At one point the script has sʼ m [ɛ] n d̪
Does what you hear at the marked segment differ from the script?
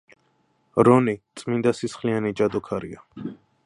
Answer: yes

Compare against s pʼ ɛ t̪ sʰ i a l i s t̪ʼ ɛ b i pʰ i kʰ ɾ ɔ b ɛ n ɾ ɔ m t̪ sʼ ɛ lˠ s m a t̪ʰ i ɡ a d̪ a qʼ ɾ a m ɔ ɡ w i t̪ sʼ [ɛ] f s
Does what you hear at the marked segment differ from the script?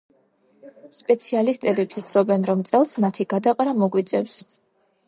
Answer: no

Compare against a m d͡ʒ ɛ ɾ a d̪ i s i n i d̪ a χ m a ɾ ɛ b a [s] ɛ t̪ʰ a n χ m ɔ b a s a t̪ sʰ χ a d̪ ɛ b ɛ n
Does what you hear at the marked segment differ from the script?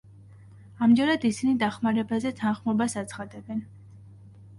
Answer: yes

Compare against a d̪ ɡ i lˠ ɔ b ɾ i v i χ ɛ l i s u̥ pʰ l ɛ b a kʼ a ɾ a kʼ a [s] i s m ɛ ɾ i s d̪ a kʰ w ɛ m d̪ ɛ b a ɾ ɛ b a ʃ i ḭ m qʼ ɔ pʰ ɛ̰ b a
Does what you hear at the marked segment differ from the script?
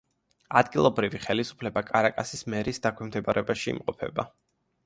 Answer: no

